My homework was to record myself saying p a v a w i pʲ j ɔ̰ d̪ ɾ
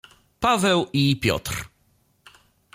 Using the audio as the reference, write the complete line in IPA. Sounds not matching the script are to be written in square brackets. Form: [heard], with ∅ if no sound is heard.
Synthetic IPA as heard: p a v [ɛ] w i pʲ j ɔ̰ [t̪] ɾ